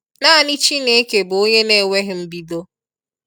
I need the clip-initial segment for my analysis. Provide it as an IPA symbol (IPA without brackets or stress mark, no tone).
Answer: n